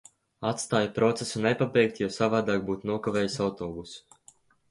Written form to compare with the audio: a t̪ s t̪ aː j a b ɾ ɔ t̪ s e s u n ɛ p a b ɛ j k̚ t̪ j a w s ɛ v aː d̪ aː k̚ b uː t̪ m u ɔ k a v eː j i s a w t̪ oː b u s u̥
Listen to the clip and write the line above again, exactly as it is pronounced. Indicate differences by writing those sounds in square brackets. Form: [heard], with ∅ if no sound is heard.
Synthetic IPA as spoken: a t̪ s t̪ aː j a [p] ɾ ɔ t̪ s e s u n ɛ p a b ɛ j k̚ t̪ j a w s [a] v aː d̪ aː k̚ b uː t̪ [n] u ɔ k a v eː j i s a w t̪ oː b u s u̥